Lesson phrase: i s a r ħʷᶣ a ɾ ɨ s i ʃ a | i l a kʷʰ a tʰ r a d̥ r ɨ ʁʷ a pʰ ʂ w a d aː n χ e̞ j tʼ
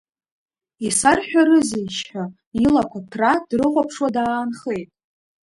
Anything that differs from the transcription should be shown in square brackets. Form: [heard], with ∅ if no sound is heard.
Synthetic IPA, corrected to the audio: i s a r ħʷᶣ a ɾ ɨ [z] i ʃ a | i l a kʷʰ a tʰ r a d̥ r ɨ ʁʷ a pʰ ʂ w a d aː n χ e̞ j tʼ